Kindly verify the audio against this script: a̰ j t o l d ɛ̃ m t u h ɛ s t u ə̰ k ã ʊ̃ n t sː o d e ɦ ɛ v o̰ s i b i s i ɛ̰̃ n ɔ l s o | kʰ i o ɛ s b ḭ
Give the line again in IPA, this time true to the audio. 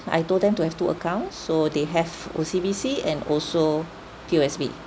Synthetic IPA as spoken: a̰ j t o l d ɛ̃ m t u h ɛ f t u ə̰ k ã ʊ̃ n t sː o d e ɦ ɛ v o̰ s i b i s i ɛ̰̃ n ɔ l s o | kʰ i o ɛ s b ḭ